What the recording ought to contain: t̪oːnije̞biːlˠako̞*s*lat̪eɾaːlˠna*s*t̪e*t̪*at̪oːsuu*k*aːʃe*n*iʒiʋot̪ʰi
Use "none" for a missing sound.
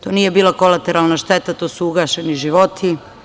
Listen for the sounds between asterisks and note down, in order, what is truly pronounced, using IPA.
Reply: none, ʃ, t̪, ɡ, n

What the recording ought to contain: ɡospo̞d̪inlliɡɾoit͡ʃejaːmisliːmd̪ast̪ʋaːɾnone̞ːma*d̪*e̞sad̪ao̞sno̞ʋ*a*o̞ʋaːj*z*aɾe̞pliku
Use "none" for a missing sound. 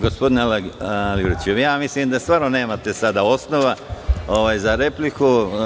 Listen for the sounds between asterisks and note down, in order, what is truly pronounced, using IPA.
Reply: t̪, a, z

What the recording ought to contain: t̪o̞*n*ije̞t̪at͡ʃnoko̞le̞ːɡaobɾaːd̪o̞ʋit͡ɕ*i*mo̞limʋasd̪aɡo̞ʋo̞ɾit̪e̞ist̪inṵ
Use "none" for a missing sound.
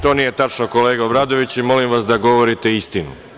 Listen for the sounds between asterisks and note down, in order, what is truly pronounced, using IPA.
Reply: n, i

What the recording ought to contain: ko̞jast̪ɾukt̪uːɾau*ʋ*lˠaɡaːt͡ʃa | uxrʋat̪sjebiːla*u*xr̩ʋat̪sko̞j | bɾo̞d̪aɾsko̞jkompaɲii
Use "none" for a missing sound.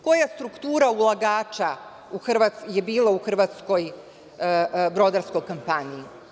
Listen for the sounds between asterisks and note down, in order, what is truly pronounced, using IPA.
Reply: none, u

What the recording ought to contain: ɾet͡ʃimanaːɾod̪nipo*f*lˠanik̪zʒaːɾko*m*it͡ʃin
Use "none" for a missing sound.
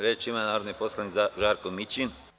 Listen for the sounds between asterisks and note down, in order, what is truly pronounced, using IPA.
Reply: s, m

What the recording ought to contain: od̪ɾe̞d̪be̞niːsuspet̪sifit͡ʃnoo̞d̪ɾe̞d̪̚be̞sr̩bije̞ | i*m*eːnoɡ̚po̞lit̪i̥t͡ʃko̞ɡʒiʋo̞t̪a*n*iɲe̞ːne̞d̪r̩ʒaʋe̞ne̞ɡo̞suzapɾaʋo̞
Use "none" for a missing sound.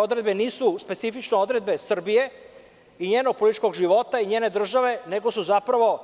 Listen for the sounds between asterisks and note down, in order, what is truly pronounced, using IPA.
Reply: ɲ, none

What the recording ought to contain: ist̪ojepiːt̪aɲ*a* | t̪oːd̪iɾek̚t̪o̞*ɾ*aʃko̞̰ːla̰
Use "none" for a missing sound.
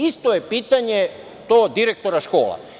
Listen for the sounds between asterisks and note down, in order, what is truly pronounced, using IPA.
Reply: e, ɾ

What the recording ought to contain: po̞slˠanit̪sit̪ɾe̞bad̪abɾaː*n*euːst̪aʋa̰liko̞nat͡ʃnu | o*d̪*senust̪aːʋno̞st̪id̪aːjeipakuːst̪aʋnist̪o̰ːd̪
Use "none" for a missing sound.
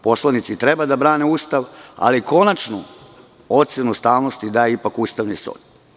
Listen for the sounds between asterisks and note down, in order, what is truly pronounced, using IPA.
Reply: n, t̪

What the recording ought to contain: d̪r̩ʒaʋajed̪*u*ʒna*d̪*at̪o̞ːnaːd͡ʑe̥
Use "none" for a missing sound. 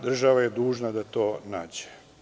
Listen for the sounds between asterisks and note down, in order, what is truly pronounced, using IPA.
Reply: uː, d̪

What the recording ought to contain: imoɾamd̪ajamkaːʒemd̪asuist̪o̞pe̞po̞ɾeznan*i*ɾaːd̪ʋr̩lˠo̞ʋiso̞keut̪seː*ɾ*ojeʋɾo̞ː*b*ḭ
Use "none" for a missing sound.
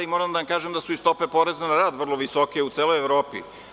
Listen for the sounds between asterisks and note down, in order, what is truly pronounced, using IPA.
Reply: a, l, p

